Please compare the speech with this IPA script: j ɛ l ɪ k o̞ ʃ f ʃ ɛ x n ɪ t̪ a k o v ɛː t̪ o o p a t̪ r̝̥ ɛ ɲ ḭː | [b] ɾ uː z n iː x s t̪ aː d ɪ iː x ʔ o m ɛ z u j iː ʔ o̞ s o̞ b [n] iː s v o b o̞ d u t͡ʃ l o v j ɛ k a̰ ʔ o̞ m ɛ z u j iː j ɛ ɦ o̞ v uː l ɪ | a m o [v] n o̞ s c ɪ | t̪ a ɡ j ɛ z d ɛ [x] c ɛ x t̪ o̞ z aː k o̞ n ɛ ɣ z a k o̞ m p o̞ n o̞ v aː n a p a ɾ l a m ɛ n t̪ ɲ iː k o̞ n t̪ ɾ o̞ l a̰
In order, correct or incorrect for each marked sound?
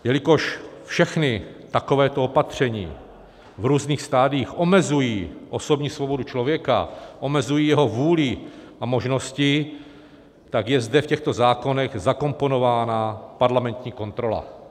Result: incorrect, incorrect, incorrect, incorrect

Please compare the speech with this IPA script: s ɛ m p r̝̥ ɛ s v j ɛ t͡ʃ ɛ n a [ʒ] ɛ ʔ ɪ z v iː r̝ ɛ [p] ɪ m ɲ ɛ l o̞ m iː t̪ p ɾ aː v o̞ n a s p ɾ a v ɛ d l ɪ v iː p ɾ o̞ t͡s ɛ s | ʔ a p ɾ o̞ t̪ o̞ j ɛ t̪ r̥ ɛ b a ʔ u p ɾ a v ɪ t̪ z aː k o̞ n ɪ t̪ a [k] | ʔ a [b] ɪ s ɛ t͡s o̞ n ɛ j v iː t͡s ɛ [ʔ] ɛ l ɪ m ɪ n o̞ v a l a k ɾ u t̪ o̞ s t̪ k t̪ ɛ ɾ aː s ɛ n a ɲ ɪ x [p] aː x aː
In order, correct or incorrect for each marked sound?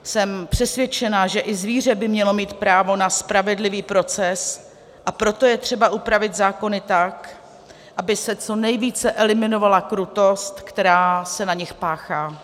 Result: correct, incorrect, correct, correct, correct, correct

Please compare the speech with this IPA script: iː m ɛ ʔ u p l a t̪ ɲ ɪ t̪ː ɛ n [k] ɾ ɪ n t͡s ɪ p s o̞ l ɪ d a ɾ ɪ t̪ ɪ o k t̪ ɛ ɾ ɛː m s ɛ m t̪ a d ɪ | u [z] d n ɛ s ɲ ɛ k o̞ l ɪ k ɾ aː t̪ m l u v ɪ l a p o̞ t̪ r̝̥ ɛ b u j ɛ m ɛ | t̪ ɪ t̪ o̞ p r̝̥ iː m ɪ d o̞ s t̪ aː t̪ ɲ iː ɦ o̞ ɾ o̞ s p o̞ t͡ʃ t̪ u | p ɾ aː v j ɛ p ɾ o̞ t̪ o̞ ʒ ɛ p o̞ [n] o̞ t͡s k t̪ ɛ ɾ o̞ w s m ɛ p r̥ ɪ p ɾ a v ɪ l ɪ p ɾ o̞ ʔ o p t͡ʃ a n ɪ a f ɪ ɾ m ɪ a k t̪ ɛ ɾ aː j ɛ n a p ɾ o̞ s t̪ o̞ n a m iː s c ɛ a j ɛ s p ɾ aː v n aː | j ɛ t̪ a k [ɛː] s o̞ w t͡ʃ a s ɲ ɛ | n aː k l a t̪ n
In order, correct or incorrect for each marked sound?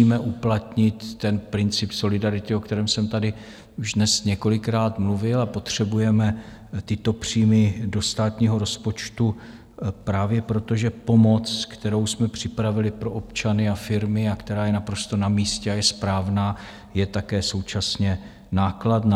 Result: incorrect, incorrect, incorrect, correct

